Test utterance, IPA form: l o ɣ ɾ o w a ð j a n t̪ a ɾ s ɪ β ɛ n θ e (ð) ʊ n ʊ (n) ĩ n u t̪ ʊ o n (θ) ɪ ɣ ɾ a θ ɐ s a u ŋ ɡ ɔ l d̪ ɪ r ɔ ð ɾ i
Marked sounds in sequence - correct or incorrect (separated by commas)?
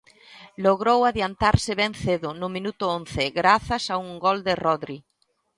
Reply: correct, incorrect, correct